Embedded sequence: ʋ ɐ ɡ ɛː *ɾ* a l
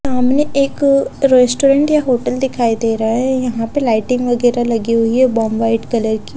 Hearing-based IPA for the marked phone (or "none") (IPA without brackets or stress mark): ɾ